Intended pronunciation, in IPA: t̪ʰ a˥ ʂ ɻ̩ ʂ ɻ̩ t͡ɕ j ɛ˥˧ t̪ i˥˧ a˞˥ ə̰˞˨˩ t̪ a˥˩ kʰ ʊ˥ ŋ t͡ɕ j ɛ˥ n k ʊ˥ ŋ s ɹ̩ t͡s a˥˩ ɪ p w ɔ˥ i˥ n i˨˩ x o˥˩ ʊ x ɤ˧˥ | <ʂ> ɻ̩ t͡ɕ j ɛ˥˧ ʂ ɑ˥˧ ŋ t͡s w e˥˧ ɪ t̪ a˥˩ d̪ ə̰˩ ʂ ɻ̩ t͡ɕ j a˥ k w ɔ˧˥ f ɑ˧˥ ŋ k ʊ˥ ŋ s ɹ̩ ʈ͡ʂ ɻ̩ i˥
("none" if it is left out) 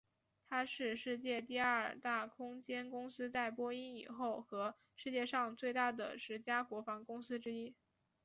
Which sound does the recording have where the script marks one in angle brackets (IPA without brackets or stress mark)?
ʂ